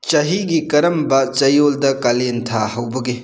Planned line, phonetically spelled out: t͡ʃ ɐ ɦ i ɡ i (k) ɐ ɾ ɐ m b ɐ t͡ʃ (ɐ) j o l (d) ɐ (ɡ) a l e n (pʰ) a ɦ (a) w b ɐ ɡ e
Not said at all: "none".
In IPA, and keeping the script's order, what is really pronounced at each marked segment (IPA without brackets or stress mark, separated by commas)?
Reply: k, ɐ, d, k, tʰ, ɐ